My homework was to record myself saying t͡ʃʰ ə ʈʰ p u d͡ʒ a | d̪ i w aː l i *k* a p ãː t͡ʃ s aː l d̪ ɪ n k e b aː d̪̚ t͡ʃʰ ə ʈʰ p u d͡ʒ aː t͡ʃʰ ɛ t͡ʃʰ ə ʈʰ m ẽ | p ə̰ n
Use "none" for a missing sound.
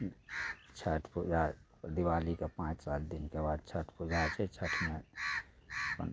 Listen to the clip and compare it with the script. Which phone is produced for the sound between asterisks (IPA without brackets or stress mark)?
k